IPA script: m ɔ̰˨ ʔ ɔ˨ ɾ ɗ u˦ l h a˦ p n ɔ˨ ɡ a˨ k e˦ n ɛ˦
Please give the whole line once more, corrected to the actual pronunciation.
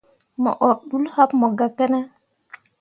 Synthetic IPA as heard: m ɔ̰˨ ʔ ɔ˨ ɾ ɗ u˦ l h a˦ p m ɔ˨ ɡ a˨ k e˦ n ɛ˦